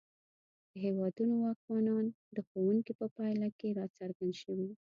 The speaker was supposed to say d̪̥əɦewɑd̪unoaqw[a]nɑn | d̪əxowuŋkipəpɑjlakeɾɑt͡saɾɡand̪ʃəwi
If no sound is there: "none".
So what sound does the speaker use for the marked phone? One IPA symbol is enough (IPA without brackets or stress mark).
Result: ɑ